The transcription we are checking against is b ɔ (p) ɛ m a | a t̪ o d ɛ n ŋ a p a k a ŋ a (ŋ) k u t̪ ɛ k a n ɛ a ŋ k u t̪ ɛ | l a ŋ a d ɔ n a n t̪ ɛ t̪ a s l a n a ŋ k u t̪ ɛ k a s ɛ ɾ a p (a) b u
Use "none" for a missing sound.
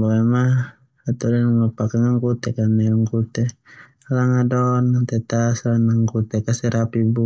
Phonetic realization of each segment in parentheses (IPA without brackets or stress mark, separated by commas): none, ŋ, i